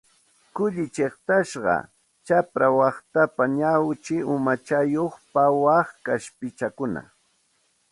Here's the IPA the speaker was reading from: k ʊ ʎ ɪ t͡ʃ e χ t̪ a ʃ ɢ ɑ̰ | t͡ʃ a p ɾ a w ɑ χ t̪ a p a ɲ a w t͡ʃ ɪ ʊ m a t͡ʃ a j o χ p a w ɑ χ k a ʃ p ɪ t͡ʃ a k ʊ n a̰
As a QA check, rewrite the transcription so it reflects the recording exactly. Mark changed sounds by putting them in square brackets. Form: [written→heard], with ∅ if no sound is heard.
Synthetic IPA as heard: k ʊ ʎ ɪ t͡ʃ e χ t̪ a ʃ ɢ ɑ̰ | t͡ʃ a p ɾ a w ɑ χ t̪ a p a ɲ a w t͡ʃ ɪ ʊ m a t͡ʃ a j o χ p a w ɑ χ k a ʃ p ɪ t͡ʃ a k ʊ n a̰